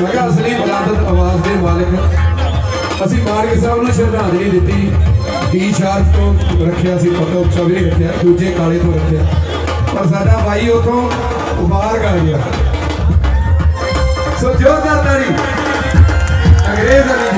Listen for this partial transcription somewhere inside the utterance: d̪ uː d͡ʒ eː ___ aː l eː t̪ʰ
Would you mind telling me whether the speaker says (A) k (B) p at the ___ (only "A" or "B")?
A